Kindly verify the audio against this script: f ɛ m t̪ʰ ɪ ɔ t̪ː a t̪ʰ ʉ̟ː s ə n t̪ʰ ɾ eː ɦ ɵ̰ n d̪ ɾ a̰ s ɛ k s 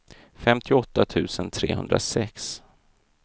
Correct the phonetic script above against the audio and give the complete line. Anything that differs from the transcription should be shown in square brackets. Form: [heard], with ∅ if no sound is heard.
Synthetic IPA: f ɛ m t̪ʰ ɪ ɔ t̪ː a t̪ʰ ʉ̟ː s ə n t̪ʰ ɾ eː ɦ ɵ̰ n d̪ ɾ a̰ s ɛ k s